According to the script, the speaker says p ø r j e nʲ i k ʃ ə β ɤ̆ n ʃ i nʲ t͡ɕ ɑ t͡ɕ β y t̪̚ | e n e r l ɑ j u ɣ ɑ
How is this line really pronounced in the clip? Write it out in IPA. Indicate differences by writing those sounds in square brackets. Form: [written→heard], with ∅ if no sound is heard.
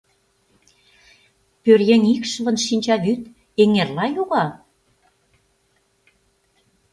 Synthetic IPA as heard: p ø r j e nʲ i k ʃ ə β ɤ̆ n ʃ i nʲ t͡ɕ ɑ [t͡ɕ→∅] β y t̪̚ | e [n→ŋ] e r l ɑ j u ɣ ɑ